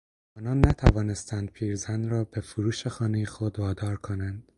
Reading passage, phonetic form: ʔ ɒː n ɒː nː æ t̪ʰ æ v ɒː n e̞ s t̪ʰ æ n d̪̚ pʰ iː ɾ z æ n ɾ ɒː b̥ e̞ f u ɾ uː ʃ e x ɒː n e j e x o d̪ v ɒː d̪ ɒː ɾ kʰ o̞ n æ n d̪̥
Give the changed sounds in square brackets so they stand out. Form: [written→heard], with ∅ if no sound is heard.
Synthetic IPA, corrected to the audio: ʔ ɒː n ɒː nː æ t̪ʰ æ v ɒː n e̞ s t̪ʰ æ n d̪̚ pʰ iː ɾ z æ n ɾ ɒː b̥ e̞ f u ɾ uː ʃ e x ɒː n e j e x o d̪ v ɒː d̪ ɒː ɾ kʰ o̞ n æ n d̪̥